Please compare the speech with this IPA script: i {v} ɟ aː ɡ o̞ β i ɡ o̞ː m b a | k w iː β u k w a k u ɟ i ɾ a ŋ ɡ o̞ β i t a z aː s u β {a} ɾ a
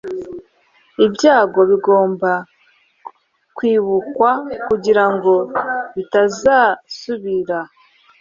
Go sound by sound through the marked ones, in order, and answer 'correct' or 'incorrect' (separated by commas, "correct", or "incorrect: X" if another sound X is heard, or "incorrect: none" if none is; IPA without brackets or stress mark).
incorrect: b, incorrect: i